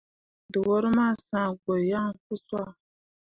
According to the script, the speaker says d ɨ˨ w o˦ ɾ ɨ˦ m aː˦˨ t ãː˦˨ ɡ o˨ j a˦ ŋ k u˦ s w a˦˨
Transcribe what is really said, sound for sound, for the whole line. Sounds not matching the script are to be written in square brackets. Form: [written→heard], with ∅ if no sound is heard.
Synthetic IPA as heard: d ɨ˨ w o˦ ɾ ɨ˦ m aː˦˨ [t→s] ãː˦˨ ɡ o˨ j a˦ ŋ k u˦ s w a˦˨